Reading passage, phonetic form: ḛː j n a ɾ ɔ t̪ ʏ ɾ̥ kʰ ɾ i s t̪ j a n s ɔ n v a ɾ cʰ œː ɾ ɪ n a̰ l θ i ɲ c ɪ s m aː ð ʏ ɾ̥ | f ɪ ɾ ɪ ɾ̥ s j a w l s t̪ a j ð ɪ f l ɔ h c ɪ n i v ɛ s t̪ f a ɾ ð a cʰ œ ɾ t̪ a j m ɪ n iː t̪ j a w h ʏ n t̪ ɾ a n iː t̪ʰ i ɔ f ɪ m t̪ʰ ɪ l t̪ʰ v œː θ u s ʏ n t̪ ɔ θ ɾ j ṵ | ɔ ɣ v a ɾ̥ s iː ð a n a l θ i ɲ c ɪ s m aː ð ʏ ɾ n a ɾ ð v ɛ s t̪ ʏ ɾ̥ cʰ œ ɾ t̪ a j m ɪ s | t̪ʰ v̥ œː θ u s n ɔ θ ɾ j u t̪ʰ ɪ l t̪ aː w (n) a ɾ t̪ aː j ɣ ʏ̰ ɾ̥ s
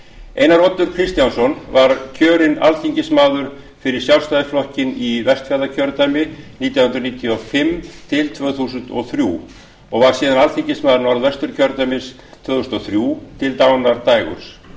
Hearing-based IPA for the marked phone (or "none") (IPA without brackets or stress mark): n